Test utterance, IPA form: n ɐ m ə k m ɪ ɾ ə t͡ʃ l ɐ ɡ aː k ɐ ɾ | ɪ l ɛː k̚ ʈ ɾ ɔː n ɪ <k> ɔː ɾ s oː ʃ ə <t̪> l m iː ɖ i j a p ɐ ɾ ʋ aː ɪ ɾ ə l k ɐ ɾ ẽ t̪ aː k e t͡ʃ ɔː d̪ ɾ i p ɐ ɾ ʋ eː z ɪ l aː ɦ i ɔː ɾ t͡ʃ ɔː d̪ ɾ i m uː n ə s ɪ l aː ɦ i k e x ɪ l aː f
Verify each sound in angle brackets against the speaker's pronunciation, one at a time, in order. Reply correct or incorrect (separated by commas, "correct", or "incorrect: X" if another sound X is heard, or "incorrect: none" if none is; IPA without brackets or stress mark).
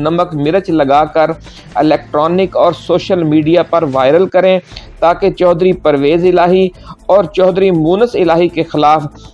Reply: correct, incorrect: none